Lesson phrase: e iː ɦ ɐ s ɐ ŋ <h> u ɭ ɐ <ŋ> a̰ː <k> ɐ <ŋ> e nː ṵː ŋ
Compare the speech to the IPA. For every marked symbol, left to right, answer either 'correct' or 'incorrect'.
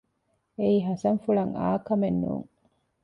incorrect, correct, correct, incorrect

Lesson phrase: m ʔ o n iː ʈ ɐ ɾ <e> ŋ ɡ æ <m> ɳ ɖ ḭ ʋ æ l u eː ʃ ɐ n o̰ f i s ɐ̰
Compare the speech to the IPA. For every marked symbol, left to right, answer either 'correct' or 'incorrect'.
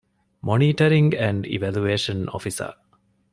incorrect, incorrect

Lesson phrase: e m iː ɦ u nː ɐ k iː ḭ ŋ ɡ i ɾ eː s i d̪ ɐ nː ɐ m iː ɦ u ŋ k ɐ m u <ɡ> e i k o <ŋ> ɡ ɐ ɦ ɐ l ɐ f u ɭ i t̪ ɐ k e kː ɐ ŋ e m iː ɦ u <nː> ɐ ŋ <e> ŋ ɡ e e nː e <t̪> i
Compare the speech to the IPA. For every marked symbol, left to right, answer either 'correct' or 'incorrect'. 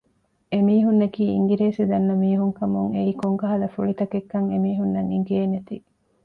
incorrect, correct, correct, incorrect, correct

